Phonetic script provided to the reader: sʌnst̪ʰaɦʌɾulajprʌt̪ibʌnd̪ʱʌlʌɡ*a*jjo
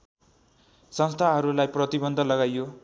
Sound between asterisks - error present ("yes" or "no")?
no